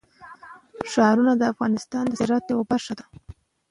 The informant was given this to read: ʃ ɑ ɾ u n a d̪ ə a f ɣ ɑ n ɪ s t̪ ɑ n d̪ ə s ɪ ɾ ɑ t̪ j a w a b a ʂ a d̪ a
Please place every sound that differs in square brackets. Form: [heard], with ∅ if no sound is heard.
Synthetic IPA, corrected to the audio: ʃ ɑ ɾ u n a d̪ ə a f ɣ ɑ n ɪ s t̪ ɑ n d̪ ə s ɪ ɾ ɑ t̪ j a w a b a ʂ a d̪ a